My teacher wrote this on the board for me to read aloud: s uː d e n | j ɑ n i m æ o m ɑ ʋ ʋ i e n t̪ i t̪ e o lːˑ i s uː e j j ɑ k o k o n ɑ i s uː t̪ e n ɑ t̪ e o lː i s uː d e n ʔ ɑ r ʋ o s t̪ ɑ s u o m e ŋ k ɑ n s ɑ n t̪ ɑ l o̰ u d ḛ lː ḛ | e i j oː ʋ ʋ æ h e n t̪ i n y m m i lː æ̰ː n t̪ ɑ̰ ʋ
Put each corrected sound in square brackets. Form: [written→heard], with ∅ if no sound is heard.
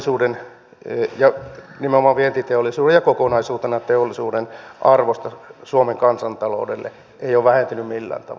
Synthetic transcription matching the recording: s uː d e n | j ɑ n i m [æ→e] o m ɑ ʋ ʋ i e n t̪ i t̪ e o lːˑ i s uː e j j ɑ k o k o n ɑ i s uː t̪ e n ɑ t̪ e o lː i s uː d e n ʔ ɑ r ʋ o s t̪ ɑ s u o m e ŋ k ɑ n s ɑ n t̪ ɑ l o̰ u d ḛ lː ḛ | e i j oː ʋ ʋ æ h e n t̪ [i→y] n y m m i lː æ̰ː n t̪ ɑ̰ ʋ